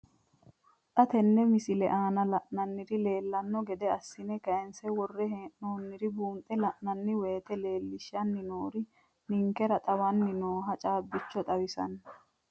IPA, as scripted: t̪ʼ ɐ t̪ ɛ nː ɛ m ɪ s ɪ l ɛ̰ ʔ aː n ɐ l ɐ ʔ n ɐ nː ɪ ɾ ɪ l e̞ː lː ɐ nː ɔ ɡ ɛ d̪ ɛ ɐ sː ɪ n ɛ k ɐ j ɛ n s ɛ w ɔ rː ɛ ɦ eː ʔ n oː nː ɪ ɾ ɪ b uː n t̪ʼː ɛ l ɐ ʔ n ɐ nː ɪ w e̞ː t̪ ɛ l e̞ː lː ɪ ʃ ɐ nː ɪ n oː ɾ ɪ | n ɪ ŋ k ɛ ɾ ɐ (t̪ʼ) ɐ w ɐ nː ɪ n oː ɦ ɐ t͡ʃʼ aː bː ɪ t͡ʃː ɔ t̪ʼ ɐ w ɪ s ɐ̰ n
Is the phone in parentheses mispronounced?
no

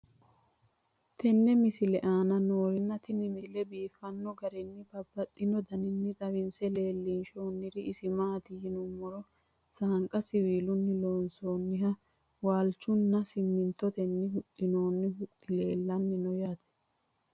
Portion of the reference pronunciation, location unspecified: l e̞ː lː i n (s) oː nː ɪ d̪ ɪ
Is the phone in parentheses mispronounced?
yes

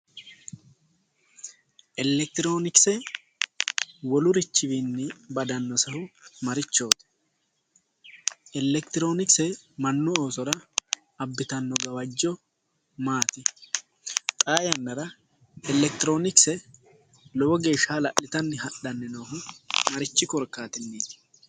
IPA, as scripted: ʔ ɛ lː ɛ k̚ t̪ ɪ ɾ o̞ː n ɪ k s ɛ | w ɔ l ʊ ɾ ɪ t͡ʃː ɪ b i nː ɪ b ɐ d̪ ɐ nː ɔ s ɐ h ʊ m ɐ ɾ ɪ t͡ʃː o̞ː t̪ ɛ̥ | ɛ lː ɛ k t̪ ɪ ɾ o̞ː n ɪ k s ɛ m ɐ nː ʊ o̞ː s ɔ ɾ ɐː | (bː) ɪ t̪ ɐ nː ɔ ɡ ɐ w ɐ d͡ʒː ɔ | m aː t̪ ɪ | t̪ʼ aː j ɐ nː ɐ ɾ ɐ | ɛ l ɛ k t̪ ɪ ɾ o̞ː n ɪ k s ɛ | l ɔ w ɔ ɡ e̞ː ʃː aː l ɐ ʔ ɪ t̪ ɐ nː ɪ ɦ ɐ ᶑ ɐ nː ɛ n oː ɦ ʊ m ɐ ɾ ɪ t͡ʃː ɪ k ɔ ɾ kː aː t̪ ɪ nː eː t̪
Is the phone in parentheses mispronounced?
no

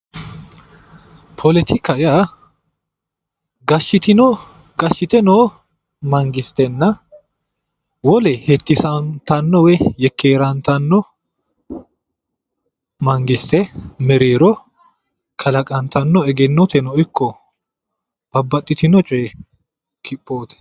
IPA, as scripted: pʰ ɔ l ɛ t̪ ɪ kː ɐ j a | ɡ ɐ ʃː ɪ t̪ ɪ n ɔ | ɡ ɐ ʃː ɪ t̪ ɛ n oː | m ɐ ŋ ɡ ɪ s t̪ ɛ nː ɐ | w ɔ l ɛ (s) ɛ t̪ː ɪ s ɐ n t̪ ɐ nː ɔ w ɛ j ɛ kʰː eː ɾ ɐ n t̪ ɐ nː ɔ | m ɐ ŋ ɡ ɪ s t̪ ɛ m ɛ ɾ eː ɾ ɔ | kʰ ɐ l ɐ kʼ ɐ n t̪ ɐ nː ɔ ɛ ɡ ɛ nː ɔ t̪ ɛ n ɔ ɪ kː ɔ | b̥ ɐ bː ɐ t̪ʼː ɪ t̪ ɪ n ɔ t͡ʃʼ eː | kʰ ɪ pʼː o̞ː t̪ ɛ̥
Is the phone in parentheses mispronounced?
yes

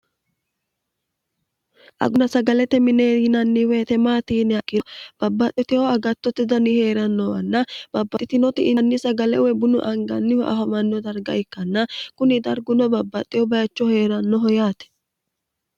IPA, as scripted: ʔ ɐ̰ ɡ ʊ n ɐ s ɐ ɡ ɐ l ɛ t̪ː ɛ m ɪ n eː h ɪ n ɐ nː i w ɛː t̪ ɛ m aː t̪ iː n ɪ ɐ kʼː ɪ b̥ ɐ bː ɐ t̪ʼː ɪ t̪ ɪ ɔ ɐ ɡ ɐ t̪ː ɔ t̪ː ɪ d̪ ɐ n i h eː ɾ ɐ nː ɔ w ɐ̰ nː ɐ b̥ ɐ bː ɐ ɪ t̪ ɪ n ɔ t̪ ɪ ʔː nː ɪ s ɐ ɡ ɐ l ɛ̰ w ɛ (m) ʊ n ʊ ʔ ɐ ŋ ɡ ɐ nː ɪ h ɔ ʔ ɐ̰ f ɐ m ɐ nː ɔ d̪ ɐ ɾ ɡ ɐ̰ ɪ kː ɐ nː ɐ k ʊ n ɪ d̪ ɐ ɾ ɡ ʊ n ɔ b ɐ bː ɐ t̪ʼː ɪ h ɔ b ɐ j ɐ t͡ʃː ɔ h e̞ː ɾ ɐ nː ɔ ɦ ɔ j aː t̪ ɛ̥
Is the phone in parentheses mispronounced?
yes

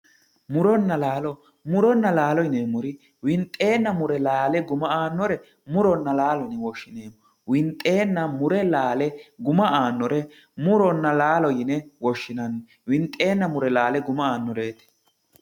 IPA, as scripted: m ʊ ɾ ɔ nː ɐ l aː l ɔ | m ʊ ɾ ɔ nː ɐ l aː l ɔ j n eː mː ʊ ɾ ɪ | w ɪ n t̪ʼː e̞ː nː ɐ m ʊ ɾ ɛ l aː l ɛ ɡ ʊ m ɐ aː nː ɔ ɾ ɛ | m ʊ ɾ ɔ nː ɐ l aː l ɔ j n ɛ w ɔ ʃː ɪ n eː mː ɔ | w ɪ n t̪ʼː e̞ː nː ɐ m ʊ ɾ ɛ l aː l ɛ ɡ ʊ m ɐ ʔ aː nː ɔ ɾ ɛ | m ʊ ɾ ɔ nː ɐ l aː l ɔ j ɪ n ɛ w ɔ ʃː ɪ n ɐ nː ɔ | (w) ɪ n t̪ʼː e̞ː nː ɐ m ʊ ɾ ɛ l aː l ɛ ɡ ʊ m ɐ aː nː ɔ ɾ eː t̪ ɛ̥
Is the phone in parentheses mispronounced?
no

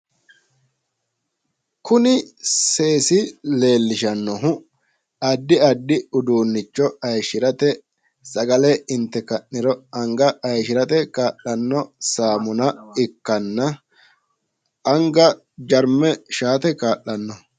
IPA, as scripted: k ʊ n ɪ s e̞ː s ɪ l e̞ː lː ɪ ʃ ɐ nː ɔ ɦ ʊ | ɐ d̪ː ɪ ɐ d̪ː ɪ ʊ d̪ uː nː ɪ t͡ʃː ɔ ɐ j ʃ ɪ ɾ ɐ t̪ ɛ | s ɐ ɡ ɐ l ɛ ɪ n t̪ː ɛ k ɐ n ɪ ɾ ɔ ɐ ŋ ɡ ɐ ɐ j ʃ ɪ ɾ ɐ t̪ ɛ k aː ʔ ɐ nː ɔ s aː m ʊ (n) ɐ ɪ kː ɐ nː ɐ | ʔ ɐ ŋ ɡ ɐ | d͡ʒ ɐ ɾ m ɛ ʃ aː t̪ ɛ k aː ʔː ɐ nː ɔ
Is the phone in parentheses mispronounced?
no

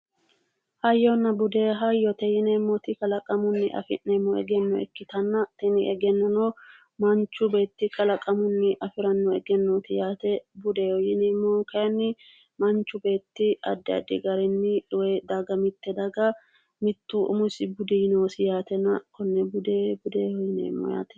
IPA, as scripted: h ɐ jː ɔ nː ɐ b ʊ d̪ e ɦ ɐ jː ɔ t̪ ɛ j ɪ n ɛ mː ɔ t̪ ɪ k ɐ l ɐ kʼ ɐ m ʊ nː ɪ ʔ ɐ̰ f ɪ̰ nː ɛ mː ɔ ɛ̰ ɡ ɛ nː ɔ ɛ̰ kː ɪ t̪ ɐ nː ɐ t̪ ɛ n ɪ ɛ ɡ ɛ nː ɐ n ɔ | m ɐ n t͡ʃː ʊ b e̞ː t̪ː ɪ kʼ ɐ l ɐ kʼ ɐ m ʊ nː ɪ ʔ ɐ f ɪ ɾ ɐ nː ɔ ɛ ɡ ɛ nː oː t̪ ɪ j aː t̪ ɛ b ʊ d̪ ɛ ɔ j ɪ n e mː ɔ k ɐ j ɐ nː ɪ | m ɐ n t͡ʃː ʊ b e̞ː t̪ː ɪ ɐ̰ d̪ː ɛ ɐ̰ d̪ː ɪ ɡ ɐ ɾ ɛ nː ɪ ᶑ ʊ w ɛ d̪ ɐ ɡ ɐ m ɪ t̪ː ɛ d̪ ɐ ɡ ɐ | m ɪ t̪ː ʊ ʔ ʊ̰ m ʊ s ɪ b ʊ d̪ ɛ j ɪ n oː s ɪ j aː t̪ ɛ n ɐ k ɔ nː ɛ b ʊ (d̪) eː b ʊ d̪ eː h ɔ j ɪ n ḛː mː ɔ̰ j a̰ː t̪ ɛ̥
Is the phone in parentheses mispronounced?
no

